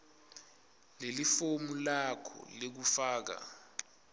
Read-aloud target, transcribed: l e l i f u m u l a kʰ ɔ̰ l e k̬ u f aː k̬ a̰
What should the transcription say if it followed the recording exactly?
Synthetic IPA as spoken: l e l i f o m u l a kʰ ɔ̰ l e k̬ u f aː k̬ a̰